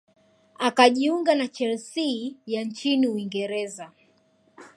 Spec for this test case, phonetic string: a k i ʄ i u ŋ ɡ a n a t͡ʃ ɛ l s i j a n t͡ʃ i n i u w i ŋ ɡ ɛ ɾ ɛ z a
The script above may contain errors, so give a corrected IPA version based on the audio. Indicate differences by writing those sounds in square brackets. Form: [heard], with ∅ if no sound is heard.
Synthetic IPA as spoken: a k [a] ʄ i u ŋ ɡ a n a t͡ʃ ɛ l s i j a n t͡ʃ i n i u w i ŋ ɡ ɛ ɾ ɛ z a